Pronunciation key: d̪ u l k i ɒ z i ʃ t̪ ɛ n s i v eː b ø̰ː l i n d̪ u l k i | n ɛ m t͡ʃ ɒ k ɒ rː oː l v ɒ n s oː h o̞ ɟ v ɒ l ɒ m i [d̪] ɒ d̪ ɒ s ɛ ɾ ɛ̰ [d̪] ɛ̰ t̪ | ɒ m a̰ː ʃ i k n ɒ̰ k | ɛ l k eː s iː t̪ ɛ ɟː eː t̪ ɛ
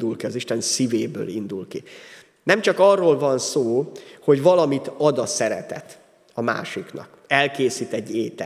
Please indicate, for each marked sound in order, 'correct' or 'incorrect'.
incorrect: t̪, incorrect: t̪

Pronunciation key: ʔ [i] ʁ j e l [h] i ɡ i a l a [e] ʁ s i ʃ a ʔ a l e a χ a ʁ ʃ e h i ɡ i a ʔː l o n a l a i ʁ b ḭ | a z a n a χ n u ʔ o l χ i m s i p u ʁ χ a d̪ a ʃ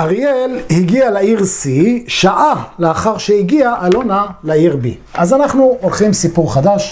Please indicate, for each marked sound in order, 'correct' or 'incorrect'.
incorrect: a, correct, incorrect: i

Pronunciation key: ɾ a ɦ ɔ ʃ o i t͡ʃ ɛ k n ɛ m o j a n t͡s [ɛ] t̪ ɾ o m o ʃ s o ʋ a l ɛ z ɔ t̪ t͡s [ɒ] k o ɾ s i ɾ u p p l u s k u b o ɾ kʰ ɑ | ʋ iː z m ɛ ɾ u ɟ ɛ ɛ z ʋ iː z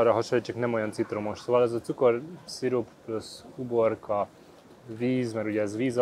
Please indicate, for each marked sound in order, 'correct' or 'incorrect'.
incorrect: i, incorrect: u

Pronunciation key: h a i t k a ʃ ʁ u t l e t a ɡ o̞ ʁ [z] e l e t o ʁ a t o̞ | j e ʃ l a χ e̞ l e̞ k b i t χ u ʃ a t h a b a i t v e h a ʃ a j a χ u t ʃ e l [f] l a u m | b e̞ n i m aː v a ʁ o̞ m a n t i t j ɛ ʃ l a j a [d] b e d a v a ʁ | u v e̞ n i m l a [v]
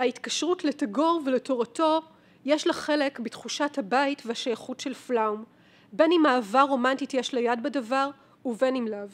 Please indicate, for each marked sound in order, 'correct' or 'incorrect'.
incorrect: v, correct, correct, correct

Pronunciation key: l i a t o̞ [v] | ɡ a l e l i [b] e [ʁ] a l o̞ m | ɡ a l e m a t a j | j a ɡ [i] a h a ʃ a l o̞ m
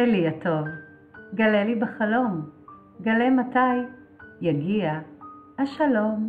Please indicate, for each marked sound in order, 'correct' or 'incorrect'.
correct, correct, incorrect: χ, correct

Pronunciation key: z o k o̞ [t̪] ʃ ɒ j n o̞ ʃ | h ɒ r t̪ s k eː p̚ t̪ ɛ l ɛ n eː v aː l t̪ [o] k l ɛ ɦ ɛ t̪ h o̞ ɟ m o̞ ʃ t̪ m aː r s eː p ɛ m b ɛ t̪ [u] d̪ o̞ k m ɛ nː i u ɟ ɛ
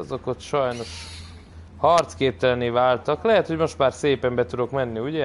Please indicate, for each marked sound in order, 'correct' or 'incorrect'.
correct, incorrect: ɒ, correct

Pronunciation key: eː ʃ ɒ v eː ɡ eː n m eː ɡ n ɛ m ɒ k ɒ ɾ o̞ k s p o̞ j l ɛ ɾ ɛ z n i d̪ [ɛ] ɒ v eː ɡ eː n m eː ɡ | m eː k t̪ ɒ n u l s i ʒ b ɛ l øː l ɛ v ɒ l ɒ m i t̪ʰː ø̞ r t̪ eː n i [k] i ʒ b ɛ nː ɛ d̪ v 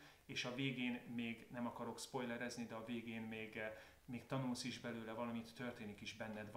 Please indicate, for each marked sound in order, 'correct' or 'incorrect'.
correct, correct

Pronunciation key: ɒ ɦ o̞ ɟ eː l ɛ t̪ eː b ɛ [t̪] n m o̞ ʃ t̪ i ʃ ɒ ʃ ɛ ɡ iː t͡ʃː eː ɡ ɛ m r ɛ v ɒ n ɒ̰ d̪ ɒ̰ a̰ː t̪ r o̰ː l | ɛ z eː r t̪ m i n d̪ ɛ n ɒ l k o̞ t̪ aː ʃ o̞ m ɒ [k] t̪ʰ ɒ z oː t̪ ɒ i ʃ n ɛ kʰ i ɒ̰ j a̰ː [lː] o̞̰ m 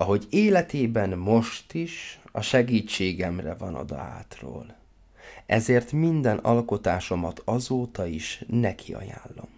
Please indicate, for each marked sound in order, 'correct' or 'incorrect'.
incorrect: none, incorrect: none, correct

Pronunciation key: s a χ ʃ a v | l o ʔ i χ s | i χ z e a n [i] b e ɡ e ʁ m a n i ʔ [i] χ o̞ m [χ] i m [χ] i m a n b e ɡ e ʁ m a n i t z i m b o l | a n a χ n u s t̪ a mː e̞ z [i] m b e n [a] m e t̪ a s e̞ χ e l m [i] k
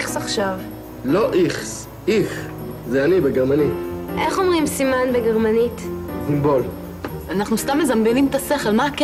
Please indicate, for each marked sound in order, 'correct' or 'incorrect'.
correct, incorrect: e, incorrect: ʁ, incorrect: s, incorrect: a, incorrect: i, incorrect: a

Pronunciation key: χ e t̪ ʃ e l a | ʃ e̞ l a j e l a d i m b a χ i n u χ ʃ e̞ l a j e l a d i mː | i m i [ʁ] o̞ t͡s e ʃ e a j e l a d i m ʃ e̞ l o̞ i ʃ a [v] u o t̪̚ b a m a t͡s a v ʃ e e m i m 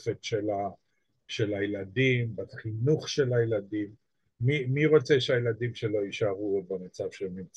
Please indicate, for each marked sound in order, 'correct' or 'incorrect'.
correct, incorrect: ʁ

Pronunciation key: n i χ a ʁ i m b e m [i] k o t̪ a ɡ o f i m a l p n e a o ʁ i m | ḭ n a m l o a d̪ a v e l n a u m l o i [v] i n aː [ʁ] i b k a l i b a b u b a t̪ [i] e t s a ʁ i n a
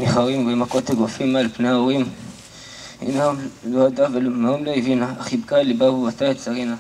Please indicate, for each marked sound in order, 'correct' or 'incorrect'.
incorrect: a, correct, incorrect: χ, incorrect: a

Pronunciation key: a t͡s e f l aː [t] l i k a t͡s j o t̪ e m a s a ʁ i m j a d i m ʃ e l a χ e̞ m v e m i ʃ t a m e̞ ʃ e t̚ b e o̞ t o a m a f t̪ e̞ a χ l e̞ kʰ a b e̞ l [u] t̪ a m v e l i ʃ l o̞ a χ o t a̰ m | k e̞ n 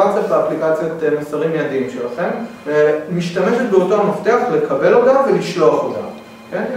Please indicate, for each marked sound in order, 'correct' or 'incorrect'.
incorrect: p, incorrect: o

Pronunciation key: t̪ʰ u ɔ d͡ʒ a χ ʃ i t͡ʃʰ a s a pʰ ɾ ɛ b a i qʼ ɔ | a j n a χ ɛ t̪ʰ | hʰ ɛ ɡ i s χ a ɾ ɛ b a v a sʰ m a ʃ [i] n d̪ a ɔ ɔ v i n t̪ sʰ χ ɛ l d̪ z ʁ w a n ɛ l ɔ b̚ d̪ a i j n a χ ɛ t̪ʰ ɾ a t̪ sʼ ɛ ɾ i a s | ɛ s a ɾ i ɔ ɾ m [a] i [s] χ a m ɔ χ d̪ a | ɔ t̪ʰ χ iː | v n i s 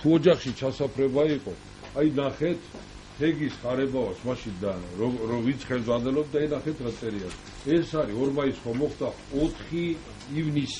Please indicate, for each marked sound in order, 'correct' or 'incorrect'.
correct, correct, correct

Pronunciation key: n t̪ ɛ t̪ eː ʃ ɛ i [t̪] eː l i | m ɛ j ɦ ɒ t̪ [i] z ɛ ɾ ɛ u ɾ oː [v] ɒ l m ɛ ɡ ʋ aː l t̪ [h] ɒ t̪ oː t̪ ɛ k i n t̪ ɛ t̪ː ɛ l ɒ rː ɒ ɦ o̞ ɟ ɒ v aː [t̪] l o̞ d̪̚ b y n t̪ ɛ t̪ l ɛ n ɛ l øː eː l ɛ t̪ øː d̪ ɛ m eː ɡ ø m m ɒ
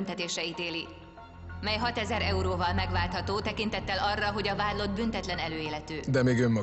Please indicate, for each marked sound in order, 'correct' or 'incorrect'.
correct, incorrect: ɛ, correct, correct, incorrect: d̪

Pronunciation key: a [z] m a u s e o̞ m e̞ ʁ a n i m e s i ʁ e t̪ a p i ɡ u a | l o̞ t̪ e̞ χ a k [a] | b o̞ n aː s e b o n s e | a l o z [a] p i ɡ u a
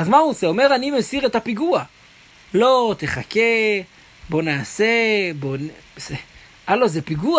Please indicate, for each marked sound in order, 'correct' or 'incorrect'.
correct, incorrect: e, incorrect: e

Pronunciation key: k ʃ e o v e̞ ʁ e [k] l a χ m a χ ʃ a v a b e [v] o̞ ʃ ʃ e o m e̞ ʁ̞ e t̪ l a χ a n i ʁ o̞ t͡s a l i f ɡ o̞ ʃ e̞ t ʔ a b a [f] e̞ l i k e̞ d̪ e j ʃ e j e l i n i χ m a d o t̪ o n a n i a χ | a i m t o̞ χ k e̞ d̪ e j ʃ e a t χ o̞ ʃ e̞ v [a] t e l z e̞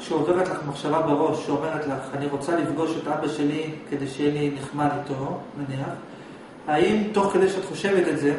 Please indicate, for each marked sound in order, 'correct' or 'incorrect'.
incorrect: t, incorrect: ʁ, incorrect: ʃ, incorrect: e

